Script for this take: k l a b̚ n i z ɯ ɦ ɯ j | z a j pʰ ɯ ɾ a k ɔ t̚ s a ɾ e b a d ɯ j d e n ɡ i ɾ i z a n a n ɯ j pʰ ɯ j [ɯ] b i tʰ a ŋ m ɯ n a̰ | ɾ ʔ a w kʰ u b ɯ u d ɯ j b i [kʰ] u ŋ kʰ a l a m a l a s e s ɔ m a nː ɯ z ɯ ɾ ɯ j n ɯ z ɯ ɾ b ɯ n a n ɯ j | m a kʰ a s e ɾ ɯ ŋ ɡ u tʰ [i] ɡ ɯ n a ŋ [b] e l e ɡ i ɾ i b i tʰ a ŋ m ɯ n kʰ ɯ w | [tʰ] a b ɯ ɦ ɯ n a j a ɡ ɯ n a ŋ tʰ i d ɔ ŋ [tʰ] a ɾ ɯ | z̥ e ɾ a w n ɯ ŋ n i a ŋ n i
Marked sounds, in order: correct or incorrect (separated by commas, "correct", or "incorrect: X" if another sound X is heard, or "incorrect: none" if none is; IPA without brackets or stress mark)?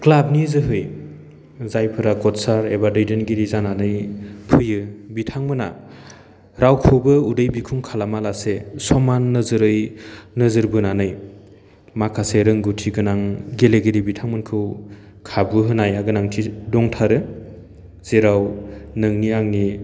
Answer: correct, correct, correct, incorrect: ɡ, incorrect: kʰ, correct